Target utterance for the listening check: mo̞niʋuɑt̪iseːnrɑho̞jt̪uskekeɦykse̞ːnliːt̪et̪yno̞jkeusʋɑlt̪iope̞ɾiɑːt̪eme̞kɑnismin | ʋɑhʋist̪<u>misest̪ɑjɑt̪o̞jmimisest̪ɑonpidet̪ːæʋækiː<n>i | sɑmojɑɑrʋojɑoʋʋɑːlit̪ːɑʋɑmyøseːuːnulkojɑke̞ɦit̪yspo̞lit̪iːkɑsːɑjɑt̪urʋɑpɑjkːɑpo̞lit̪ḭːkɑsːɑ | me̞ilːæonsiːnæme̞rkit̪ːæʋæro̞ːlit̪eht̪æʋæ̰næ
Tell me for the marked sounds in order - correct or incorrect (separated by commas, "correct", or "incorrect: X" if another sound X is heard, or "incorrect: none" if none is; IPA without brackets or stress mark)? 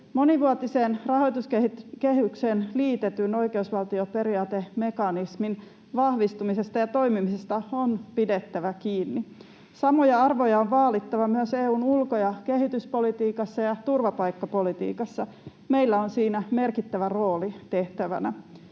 correct, incorrect: nː